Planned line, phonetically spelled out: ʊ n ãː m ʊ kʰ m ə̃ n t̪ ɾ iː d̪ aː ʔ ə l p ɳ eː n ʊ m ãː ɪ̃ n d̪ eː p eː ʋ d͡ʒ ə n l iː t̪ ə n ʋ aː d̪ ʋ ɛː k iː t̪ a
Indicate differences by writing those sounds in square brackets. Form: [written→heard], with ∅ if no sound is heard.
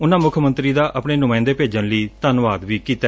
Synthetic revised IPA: ʊ n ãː m ʊ kʰ m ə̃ n t̪ ɾ iː d̪ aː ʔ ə [l→∅] p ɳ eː n ʊ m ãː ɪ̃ n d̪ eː p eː [ʋ→∅] d͡ʒ ə n l iː t̪ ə n ʋ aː d̪ ʋ [ɛː→iː] k iː t̪ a